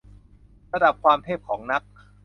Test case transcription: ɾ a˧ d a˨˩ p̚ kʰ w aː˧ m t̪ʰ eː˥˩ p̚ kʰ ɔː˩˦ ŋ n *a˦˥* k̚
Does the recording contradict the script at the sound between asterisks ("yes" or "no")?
no